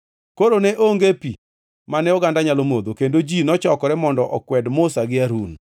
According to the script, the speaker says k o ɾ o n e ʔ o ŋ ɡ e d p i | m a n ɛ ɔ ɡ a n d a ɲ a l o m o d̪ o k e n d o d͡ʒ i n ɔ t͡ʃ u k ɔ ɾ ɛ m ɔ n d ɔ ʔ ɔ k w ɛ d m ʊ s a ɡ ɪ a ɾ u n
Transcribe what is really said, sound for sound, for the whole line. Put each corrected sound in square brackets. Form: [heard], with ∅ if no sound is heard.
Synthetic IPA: k o ɾ o n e ʔ o ŋ ɡ e [∅] p i | m a n ɛ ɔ ɡ a n d a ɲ a l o m o d̪ o k e n d o d͡ʒ i n ɔ t͡ʃ [ɔ] k ɔ ɾ ɛ m ɔ n d ɔ ʔ ɔ k w ɛ d m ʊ s a ɡ ɪ a ɾ u n